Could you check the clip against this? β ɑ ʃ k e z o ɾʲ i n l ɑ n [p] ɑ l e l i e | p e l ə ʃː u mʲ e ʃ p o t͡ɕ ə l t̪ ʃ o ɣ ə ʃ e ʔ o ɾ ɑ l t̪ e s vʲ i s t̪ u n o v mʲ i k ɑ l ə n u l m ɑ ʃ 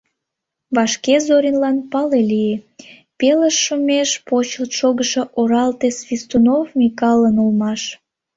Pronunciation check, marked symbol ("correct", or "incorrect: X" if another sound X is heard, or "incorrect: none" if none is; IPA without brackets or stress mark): correct